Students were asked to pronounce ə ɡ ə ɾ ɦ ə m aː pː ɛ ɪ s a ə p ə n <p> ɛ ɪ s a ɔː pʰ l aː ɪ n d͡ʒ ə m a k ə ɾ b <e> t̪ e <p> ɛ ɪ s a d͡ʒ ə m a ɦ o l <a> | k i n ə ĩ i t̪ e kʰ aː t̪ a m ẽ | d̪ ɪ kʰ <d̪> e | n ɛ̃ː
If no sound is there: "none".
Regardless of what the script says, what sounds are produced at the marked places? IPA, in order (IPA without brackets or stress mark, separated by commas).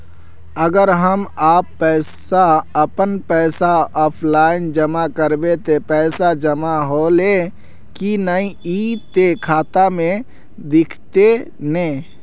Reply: p, e, p, e, t̪